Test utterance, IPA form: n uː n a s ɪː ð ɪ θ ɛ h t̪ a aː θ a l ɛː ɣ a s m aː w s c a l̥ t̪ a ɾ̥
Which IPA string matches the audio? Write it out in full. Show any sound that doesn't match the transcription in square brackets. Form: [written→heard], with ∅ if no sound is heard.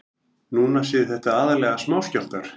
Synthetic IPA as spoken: n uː n a s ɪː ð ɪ θ ɛ h t̪ a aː [θ→ð] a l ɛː ɣ a s m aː w s c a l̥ t̪ a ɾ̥